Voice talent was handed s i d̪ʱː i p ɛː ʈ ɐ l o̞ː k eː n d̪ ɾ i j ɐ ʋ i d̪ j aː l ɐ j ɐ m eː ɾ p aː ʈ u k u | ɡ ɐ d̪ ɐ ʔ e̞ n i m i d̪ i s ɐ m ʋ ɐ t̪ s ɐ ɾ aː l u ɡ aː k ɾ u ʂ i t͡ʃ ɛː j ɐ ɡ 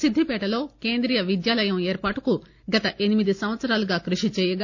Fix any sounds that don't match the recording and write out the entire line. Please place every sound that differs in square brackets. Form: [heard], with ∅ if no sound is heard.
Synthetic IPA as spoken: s i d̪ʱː i p ɛː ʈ ɐ l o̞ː k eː n d̪ ɾ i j ɐ ʋ i d̪ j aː l ɐ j ɐ m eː ɾ p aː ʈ u k u | ɡ ɐ [t̪] ɐ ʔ e̞ n i m i d̪ i s ɐ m ʋ ɐ t̪ s ɐ ɾ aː l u ɡ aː k ɾ u ʂ i t͡ʃ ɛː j ɐ ɡ